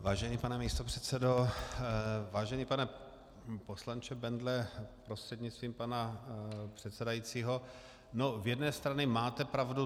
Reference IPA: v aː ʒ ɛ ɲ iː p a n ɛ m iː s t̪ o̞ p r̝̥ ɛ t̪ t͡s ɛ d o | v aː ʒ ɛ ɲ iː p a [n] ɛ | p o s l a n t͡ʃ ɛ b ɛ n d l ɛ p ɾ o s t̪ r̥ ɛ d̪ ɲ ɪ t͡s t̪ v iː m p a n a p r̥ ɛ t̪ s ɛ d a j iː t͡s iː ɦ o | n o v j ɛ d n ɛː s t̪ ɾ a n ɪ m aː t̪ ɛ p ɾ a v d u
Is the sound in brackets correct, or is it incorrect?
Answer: correct